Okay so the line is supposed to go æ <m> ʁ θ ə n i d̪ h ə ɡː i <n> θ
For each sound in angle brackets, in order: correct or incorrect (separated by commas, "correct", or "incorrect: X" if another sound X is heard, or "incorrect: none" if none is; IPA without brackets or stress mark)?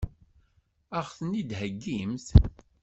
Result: incorrect: none, incorrect: m